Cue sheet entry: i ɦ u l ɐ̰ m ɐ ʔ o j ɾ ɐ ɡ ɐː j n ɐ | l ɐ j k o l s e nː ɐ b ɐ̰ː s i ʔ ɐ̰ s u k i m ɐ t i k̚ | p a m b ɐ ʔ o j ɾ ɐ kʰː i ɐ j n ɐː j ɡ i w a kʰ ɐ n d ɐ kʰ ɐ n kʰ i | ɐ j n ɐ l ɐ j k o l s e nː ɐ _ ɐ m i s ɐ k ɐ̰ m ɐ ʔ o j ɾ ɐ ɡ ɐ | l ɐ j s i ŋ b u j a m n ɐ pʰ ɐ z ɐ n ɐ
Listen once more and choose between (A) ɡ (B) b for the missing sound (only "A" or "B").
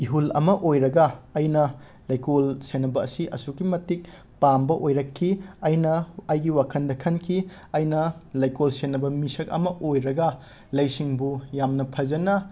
B